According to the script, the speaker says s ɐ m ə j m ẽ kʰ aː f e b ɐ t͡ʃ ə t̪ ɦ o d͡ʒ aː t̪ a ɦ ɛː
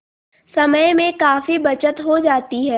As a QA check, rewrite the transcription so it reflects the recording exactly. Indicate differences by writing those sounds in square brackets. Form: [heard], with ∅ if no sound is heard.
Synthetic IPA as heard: s ɐ m ə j m ẽ [k] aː f [i] b ɐ t͡ʃ ə t̪ ɦ o d͡ʒ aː t̪ [i] ɦ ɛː